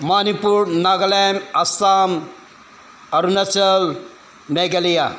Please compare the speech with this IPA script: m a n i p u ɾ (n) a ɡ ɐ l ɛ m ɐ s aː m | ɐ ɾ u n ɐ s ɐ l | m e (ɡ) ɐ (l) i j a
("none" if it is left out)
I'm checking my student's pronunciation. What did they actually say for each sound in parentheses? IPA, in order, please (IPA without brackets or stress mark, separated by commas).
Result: n, ɡ, l